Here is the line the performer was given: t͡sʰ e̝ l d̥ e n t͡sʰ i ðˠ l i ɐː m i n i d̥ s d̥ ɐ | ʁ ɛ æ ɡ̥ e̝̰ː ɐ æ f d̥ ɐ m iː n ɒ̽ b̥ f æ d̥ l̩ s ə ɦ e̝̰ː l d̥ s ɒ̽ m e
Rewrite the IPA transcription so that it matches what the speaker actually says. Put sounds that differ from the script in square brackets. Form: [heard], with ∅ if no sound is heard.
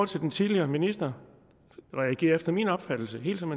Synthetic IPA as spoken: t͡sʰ e̝ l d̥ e n t͡sʰ i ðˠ l i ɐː m i n i [∅] s d̥ ɐ | ʁ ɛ æ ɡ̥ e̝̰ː ɐ [e] f d̥ ɐ m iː n ɒ̽ b̥ f æ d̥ l̩ s ə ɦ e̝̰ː l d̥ s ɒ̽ m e

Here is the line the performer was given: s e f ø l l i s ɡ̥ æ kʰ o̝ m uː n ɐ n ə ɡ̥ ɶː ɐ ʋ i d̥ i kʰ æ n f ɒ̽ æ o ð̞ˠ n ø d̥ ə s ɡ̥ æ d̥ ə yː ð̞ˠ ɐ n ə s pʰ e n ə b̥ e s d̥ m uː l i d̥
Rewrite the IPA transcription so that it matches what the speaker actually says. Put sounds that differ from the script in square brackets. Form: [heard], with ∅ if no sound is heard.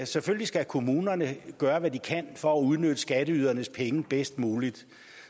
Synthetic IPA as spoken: s e f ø l l i s ɡ̥ æ kʰ o̝ m uː n ɐ n ə ɡ̥ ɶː ɐ ʋ [æ] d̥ i kʰ æ n f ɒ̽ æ [u] ð̞ˠ n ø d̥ ə s ɡ̥ æ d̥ ə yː ð̞ˠ ɐ n ə s pʰ e [ŋ] ə b̥ e s d̥ m uː l i d̥

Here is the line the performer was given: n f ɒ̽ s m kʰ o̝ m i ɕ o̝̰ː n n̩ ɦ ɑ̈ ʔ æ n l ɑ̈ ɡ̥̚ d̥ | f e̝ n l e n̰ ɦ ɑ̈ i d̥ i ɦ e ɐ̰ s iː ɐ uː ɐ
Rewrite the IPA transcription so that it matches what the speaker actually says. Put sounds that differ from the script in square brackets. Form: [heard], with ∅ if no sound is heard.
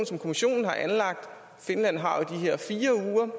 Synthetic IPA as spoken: n [s] ɒ̽ [∅] m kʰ o̝ m i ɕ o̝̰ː n n̩ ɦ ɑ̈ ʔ æ n l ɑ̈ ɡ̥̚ d̥ | f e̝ n l [æ] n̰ ɦ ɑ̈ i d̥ i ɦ e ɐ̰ [f] iː ɐ uː ɐ

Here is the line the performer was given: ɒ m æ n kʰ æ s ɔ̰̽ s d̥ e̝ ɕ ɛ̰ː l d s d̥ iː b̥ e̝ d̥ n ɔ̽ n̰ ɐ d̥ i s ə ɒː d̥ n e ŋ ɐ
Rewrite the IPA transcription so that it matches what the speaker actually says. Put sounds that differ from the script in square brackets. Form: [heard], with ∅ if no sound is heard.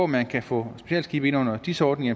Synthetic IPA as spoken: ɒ m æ n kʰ æ [f] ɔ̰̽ s [b̥] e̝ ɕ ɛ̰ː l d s [ɡ̥] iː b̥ e̝ [∅] n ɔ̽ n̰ ɐ d̥ i s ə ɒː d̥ n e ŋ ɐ

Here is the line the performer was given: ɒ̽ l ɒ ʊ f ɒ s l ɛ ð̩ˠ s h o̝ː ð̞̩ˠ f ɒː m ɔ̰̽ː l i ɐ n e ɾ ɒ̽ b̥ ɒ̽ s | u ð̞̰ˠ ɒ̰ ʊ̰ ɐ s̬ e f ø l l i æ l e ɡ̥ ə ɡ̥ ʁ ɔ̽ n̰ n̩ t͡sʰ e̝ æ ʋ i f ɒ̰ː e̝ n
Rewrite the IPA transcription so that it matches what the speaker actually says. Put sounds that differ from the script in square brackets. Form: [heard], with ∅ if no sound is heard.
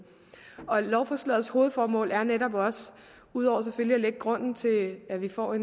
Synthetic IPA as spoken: ɒ̽ l ɒ ʊ f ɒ s l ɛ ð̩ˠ s h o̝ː ð̞̩ˠ f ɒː m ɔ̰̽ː l [æ] ɐ n e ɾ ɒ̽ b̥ ɒ̽ s | u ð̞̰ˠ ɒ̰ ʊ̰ ɐ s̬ e f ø l l i æ l e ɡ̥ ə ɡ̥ ʁ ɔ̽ n̰ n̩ t͡sʰ e̝ æ ʋ i f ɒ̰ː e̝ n

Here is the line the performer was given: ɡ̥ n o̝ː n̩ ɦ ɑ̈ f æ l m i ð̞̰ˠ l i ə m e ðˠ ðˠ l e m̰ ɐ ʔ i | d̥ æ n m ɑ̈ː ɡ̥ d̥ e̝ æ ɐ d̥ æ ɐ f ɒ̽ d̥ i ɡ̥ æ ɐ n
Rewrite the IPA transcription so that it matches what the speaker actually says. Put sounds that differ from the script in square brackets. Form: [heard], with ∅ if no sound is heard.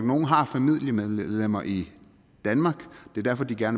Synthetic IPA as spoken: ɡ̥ n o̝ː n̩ ɦ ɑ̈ f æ [∅] m i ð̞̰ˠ l i ə m e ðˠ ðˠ l e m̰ ɐ ʔ i | d̥ æ n m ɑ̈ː ɡ̥ d̥ e̝ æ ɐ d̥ æ ɐ f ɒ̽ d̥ i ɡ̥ æ ɐ n

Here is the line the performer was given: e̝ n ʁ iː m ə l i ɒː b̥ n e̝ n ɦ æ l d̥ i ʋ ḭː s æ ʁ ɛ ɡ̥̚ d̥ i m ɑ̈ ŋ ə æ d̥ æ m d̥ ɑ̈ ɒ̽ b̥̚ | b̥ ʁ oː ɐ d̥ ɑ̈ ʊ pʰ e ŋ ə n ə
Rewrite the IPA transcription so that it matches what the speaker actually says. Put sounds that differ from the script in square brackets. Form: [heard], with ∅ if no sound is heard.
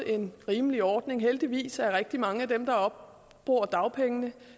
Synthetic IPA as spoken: e̝ n ʁ iː m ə l i ɒː [d̥] n e̝ [ŋ] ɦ [e] l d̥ i ʋ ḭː s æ ʁ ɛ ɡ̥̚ d̥ i m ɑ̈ ŋ ə æ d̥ [e] m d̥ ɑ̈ ɒ̽ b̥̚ | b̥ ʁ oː ɐ d̥ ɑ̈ ʊ pʰ e ŋ ə n ə

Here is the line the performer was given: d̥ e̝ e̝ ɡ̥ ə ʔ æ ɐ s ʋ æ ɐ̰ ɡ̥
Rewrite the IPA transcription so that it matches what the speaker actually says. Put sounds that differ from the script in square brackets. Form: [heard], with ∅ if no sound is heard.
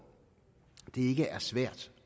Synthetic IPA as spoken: d̥ e̝ e̝ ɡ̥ ə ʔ æ ɐ s ʋ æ ɐ̰ [d̥]

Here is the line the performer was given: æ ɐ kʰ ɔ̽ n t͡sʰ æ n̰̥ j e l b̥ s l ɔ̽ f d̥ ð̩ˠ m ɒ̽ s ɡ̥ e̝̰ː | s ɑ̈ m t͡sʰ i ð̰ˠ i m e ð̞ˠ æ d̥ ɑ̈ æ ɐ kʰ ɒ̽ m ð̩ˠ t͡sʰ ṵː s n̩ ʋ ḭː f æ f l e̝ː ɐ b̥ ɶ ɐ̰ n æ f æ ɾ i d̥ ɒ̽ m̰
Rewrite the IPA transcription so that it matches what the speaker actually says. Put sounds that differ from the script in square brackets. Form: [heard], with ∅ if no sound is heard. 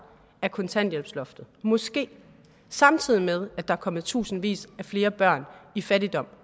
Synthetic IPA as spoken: æ ɐ kʰ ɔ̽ n t͡sʰ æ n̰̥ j e l b̥ s l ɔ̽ f d̥ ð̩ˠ m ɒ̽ s ɡ̥ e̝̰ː | s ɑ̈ m t͡sʰ i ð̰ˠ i m e ð̞ˠ æ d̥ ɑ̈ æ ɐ kʰ ɒ̽ m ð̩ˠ t͡sʰ ṵː s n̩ ʋ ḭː [s] æ f l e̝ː ɐ b̥ ɶ ɐ̰ n [i] f æ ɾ i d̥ ɒ̽ m̰

